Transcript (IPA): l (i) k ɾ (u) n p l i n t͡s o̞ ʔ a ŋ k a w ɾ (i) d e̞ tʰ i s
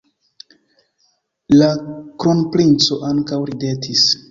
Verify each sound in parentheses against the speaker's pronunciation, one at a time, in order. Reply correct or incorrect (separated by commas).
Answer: incorrect, incorrect, correct